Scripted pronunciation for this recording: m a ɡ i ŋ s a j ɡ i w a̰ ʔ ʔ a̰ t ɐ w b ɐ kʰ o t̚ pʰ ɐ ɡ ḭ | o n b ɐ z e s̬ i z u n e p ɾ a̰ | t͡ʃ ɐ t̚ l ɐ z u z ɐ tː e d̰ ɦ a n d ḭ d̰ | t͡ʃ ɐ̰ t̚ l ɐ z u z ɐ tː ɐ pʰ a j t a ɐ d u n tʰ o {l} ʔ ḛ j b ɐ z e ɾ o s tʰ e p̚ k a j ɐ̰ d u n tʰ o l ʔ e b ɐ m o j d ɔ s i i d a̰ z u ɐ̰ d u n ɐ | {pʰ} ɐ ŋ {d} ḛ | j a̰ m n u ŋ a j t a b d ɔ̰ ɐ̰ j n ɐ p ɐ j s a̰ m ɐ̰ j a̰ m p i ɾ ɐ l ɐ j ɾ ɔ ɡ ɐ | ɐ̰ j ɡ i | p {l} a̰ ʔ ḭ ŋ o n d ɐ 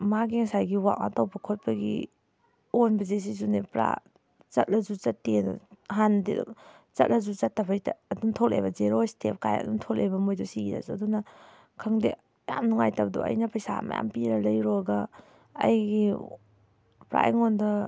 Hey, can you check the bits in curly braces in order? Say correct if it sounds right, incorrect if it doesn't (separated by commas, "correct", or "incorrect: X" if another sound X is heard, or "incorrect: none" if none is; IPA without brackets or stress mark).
correct, incorrect: kʰ, correct, incorrect: ɾ